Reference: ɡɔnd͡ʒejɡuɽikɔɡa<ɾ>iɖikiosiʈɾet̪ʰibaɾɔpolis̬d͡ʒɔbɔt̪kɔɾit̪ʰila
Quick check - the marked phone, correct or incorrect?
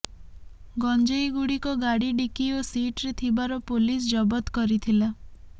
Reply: incorrect: ɽ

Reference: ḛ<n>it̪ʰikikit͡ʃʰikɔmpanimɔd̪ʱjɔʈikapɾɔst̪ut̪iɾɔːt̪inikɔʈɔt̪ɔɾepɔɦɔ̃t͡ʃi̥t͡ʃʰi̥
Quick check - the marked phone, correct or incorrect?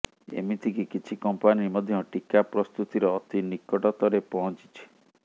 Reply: incorrect: m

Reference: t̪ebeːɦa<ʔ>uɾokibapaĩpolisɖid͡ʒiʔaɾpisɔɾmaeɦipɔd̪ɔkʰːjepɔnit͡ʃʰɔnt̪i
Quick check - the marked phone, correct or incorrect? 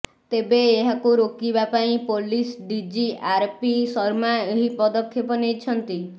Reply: incorrect: k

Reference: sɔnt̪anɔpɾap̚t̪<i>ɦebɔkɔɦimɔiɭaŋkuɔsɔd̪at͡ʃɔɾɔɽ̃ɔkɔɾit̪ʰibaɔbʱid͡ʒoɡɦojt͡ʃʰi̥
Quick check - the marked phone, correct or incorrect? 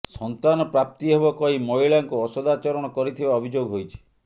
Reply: correct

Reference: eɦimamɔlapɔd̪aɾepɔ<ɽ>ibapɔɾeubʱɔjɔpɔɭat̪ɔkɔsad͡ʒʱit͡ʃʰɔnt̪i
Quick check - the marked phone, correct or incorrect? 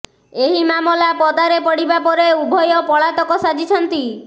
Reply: correct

